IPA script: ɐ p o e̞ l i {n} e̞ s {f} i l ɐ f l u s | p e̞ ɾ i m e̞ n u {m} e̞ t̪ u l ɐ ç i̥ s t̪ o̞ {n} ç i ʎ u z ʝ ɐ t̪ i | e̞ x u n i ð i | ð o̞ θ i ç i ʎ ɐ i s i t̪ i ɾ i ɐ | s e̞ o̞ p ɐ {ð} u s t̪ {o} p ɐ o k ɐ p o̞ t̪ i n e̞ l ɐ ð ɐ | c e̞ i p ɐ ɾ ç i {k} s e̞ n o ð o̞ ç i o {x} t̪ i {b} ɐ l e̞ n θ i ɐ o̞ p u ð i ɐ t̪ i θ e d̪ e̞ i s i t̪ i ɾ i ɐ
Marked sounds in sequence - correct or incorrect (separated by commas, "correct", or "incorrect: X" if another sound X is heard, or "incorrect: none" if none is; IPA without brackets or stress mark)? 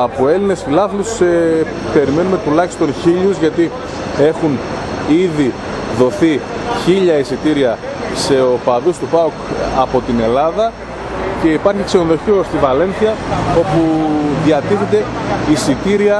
correct, correct, correct, correct, correct, incorrect: u, correct, incorrect: s, incorrect: v